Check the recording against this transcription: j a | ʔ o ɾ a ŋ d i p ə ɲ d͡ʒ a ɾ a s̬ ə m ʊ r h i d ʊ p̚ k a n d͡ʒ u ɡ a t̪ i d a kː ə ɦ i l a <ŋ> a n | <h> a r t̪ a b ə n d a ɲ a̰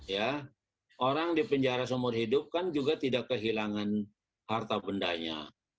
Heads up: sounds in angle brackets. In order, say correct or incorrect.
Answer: correct, correct

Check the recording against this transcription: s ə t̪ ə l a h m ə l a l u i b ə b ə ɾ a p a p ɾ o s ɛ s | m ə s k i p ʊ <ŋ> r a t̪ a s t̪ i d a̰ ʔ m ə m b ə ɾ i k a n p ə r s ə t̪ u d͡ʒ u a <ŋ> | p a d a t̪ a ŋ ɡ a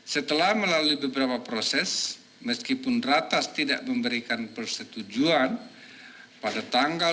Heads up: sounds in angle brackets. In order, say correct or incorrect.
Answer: incorrect: n, incorrect: n

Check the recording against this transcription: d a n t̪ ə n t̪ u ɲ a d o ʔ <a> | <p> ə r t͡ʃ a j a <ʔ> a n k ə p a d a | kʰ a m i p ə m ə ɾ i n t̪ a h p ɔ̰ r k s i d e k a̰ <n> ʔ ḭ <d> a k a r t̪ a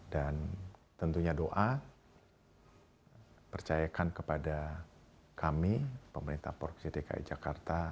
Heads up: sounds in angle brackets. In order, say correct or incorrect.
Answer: correct, correct, incorrect: k, incorrect: none, incorrect: d͡ʒ

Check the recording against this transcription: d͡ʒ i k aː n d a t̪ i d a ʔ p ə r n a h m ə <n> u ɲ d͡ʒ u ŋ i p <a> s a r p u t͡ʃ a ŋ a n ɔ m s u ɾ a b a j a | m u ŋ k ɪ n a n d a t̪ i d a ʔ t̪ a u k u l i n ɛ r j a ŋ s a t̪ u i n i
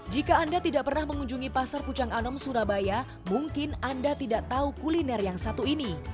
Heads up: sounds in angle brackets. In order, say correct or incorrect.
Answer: incorrect: ŋ, correct

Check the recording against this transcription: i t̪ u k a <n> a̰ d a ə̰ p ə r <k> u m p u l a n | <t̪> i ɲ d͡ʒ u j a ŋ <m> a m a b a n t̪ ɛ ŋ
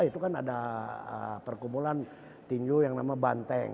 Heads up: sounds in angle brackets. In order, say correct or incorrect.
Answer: correct, correct, correct, incorrect: n

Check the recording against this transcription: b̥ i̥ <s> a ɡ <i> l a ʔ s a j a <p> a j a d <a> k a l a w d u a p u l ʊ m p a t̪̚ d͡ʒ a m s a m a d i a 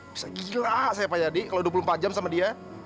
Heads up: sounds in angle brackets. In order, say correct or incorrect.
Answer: correct, correct, correct, incorrect: i

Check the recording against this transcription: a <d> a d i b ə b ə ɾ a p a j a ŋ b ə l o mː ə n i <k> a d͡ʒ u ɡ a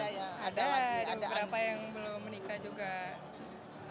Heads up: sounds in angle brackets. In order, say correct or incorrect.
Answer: correct, correct

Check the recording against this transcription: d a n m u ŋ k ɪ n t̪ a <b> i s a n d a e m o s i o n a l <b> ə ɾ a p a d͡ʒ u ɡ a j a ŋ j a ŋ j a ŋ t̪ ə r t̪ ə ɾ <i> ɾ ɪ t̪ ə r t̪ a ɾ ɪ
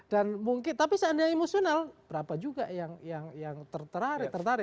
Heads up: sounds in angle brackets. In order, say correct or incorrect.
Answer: incorrect: p, correct, incorrect: a

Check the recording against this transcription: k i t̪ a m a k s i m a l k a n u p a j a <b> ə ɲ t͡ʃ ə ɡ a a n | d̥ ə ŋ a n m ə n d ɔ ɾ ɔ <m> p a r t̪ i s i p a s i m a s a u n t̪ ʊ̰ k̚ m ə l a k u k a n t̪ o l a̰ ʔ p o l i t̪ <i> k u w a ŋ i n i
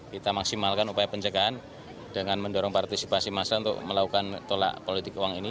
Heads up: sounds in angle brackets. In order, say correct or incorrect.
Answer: incorrect: p, incorrect: ŋ, incorrect: ɪ

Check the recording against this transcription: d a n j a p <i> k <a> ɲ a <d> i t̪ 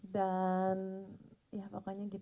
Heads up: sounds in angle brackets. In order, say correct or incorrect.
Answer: incorrect: a, correct, incorrect: ɡ

